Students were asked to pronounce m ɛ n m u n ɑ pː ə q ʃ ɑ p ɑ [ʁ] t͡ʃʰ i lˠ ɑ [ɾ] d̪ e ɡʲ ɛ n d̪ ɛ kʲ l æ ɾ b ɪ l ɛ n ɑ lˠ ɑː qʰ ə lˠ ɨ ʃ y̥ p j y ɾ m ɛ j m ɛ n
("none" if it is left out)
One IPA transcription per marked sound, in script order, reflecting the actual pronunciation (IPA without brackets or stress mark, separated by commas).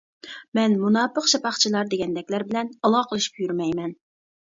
χ, ɾ